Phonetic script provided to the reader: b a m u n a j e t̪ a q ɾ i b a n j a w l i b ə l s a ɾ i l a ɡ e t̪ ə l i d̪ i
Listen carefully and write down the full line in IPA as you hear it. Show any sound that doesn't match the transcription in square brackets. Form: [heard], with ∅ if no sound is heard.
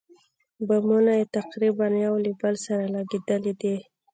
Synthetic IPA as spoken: b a m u n a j e t̪ a q ɾ i b a n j a w l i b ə l s a ɾ [a] l a ɡ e [d̪] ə l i d̪ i